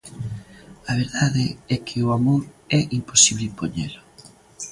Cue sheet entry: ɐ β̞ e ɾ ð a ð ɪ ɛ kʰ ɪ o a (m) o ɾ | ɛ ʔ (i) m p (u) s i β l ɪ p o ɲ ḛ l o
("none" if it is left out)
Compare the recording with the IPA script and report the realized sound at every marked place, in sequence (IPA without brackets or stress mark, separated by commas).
m, i, o